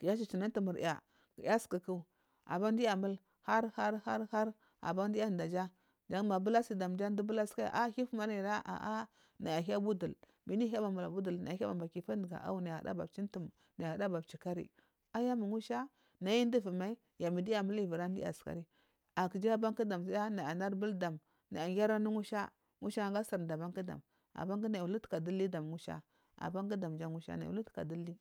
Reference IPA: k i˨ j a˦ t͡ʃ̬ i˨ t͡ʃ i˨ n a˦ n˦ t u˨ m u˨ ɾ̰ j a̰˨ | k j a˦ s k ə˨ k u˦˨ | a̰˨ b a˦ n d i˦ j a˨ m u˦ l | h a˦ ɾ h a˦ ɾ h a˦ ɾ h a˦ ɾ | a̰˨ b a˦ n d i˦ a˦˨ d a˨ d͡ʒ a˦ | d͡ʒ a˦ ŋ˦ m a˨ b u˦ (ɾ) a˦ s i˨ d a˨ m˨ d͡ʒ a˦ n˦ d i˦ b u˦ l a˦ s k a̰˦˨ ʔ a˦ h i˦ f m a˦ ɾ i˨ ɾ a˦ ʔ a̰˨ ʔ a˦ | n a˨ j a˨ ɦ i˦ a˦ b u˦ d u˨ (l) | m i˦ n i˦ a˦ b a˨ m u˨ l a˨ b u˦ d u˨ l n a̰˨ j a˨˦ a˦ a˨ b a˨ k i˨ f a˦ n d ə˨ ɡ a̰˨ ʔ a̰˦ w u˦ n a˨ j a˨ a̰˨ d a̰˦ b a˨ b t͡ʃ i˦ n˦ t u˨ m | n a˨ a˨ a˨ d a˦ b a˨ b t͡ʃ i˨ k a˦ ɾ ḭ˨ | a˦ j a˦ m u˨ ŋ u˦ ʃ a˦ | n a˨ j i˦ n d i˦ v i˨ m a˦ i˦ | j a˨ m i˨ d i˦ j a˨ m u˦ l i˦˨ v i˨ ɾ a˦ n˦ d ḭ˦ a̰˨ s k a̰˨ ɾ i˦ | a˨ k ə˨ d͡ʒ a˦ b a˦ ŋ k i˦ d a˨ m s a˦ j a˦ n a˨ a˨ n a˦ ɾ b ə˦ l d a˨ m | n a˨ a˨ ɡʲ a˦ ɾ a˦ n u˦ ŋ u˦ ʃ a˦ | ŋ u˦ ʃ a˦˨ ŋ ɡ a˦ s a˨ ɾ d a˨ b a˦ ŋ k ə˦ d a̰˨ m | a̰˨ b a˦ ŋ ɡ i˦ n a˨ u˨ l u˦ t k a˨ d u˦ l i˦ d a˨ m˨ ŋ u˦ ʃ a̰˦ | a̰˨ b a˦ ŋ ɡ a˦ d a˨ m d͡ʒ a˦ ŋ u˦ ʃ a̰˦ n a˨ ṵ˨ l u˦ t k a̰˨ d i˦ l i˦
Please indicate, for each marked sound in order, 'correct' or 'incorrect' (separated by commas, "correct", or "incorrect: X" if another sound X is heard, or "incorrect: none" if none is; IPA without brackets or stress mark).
incorrect: l, correct